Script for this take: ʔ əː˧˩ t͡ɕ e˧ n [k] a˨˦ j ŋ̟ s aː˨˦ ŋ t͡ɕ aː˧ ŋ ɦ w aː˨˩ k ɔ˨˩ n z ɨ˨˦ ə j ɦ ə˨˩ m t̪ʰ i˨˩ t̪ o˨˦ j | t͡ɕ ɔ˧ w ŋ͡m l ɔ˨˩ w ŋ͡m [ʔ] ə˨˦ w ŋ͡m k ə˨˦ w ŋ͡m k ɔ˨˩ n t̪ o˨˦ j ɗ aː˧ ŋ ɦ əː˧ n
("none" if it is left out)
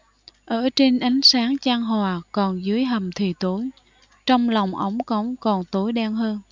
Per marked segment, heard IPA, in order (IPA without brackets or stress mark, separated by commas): ʔ, ʔ